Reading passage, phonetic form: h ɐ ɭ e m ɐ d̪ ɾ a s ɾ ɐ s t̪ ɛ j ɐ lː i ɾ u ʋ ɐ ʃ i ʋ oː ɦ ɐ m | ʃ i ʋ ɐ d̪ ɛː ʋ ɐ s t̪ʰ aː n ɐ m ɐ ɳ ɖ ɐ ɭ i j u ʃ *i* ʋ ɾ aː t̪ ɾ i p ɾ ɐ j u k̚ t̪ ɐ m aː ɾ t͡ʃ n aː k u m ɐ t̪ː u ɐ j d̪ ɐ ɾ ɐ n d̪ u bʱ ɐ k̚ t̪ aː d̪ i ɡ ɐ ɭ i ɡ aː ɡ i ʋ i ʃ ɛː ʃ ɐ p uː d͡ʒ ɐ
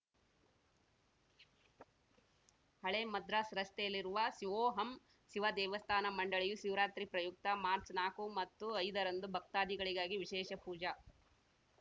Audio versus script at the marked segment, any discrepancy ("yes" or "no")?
no